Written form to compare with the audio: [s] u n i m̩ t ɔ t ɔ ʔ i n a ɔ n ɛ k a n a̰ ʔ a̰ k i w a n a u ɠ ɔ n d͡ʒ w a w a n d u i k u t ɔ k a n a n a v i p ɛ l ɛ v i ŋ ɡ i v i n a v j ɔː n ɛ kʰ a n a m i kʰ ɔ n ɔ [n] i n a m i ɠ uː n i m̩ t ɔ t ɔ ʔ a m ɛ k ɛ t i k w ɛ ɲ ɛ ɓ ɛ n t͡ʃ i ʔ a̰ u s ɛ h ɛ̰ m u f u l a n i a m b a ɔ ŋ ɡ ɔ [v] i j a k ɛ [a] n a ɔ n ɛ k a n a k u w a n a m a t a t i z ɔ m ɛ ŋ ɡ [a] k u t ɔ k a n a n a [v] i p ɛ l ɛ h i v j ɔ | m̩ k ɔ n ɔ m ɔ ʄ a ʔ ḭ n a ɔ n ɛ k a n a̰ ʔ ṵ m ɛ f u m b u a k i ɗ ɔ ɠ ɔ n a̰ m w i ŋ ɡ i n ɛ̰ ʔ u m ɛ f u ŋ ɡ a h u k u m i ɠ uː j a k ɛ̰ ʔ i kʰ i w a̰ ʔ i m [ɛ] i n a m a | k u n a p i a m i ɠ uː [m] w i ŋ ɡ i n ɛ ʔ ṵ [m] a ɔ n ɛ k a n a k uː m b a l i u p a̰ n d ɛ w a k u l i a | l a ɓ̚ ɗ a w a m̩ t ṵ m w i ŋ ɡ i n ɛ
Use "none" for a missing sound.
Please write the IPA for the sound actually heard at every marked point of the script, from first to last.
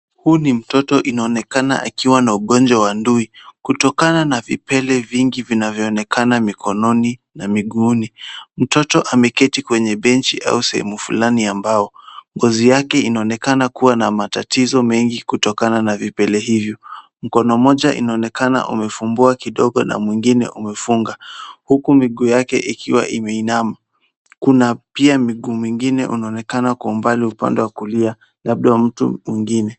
h, n, z, i, i, v, ɛ, m, n

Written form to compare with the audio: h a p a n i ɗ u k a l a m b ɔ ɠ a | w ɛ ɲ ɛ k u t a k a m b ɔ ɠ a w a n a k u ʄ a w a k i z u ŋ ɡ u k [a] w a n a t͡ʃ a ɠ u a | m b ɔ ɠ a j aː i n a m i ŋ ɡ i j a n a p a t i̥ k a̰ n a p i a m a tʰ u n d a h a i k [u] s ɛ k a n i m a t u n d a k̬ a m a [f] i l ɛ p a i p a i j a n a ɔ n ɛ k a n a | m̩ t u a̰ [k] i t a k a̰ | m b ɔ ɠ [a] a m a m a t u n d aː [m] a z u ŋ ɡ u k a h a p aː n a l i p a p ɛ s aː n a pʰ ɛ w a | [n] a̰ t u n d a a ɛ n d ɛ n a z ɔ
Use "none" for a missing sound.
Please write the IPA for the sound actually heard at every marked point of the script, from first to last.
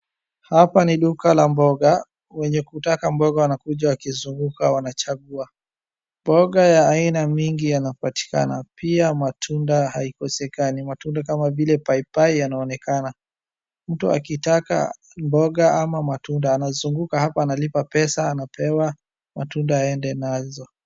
a, ɔ, v, k, a, n, m

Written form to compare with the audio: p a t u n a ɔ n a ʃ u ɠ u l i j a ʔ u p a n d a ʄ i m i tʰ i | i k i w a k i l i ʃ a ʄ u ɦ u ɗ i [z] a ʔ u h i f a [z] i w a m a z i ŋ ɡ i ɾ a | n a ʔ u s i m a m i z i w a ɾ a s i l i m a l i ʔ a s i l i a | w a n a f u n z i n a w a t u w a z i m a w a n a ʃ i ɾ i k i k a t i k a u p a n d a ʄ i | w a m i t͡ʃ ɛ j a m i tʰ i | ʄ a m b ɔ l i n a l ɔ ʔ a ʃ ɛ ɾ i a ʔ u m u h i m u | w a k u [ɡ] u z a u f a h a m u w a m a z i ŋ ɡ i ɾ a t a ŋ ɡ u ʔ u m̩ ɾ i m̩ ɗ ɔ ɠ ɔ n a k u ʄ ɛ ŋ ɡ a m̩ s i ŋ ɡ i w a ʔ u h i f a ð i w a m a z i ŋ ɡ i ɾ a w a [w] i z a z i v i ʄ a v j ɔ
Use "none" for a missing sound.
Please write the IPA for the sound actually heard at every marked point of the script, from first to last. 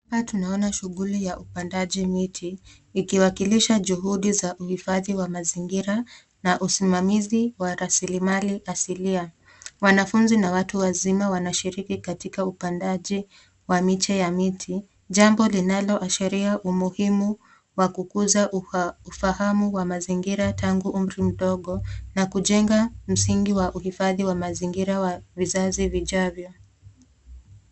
z, ð, k, v

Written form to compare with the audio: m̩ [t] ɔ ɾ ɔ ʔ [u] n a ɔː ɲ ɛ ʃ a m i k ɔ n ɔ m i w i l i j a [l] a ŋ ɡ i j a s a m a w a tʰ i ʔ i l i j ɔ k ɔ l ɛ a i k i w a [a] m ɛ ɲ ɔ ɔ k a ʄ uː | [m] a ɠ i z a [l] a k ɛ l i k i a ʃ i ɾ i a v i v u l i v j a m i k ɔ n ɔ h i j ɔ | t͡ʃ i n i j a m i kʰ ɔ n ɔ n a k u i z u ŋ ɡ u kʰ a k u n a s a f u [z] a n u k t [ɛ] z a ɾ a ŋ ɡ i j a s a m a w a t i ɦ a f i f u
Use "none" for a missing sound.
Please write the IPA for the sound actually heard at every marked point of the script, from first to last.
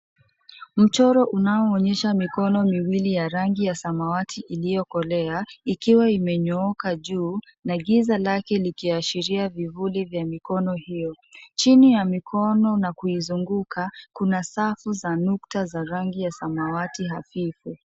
t͡ʃ, u, ɾ, i, n, l, z, a

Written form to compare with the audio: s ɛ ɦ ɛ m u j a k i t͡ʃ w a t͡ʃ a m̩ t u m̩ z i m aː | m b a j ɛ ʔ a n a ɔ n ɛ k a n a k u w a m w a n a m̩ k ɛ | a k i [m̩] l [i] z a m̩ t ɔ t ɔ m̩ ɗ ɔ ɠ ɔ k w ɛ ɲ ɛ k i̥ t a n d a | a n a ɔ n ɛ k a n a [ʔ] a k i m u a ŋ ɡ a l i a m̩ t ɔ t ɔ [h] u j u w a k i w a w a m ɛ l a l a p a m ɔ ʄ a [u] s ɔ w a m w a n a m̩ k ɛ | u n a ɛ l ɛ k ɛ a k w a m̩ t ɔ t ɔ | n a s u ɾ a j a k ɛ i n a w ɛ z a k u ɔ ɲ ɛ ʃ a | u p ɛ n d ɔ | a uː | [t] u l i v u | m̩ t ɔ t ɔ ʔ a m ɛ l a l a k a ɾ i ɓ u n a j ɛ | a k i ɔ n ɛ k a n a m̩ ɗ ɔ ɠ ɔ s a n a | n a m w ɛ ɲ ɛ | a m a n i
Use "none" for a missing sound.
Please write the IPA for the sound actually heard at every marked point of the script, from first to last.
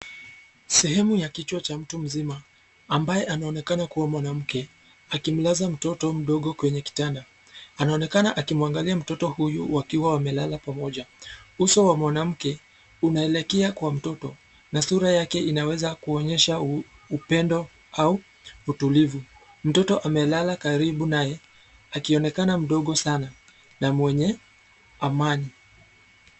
m̩, a, ʔ, h, u, t

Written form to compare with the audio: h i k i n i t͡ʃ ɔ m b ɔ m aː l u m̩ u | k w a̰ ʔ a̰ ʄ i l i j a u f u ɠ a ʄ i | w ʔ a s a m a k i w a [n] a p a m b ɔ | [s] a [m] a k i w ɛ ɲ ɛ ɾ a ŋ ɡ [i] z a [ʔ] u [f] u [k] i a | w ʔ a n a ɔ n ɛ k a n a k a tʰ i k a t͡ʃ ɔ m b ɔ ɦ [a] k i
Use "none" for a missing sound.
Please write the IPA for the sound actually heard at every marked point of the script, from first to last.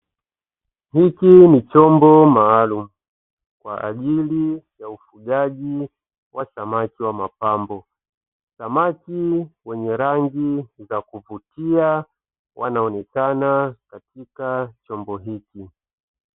m, s, m, i, k, v, t, i

